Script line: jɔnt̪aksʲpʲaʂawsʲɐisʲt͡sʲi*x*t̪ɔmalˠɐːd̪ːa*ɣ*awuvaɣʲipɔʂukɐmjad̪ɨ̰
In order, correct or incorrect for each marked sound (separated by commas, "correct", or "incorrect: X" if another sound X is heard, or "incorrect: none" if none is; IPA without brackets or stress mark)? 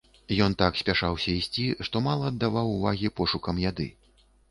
incorrect: ʂ, incorrect: v